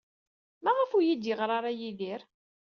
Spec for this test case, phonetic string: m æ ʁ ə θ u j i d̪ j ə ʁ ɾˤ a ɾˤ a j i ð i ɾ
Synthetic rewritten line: m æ ʁ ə f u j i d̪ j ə ʁ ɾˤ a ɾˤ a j i ð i ɾ